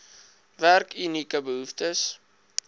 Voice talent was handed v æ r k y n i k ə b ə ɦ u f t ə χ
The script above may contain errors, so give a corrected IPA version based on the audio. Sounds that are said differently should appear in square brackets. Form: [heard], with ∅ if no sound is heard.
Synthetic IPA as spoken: v æ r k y n i k ə b ə ɦ u f t ə [s]